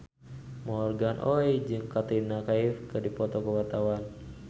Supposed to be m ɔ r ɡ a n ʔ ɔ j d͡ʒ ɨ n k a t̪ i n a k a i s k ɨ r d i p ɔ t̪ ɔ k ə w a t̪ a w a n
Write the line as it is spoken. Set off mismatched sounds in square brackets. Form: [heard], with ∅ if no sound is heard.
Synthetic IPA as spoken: m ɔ r ɡ a n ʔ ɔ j d͡ʒ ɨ [ŋ] k a t̪ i n a k a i [f] k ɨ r d i p ɔ t̪ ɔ k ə w a t̪ a w a n

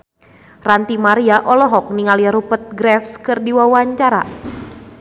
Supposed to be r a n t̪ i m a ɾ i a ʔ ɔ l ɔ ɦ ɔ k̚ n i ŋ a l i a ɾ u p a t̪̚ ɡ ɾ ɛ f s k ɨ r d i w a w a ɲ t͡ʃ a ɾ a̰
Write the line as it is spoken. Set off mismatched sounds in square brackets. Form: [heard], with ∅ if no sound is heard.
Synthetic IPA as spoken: r a n t̪ i m a ɾ i a ʔ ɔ l ɔ ɦ ɔ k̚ n i ŋ a l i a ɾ u p [ə] t̪̚ ɡ ɾ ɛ f s k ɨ r d i w a w a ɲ t͡ʃ a ɾ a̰

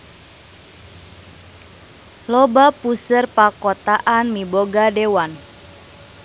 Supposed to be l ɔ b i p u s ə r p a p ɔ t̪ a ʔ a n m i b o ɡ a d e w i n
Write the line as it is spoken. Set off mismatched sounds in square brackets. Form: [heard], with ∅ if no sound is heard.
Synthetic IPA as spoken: l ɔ b [a] p u s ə r p a [k] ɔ t̪ a ʔ a n m i b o ɡ a d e w [a] n

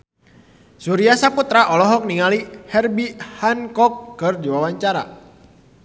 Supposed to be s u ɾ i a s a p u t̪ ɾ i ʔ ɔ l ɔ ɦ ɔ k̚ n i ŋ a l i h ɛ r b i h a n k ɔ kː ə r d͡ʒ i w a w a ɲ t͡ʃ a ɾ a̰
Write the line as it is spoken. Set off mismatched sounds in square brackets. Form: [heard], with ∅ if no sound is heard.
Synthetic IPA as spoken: s u ɾ i a s a p u t̪ ɾ [a] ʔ ɔ l ɔ ɦ ɔ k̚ n i ŋ a l i h ɛ r b i h a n k ɔ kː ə r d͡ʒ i w a w a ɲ t͡ʃ a ɾ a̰

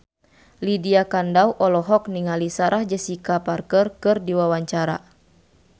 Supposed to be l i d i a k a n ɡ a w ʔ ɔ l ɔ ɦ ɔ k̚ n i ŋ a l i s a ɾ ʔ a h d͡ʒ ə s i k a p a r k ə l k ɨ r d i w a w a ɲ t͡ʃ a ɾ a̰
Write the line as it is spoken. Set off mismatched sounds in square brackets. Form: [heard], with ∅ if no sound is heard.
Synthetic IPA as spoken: l i d i a k a n [d] a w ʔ ɔ l ɔ ɦ ɔ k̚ n i ŋ a l i s a ɾ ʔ a h d͡ʒ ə s i k a p a r k ə [r] k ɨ r d i w a w a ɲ t͡ʃ a ɾ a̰

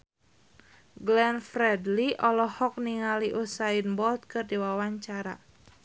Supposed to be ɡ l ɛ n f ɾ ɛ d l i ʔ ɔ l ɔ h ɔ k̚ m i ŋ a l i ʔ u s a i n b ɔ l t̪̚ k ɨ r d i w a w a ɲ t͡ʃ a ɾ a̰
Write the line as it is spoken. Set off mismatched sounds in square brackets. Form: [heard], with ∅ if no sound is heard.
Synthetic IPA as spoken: ɡ l ɛ n f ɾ ɛ d l i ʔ ɔ l ɔ h ɔ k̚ [n] i ŋ a l i ʔ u s a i n b ɔ l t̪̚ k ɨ r d i w a w a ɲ t͡ʃ a ɾ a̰

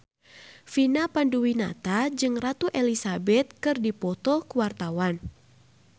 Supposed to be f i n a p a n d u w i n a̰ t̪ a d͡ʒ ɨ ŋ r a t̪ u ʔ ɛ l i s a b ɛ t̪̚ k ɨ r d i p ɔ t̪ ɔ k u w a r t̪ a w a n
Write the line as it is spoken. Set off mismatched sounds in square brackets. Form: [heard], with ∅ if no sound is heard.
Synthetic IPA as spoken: f i n a p a n d u w i n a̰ t̪ a d͡ʒ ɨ ŋ r a t̪ u ʔ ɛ l i s a b ɛ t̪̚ k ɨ r d i p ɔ t̪ ɔ k u w a r t̪ a w a n

